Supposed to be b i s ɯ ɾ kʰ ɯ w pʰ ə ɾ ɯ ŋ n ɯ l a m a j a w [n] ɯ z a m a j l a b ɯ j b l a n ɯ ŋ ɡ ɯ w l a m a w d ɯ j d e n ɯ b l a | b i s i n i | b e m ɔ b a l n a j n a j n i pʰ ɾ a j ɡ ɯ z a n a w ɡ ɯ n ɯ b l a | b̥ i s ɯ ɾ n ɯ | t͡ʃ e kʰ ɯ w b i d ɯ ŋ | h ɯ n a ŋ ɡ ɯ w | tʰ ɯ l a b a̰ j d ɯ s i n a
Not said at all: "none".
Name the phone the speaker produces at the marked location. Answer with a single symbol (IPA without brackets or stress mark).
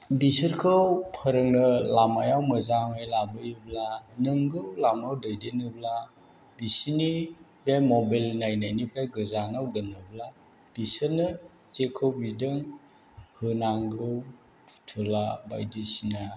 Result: m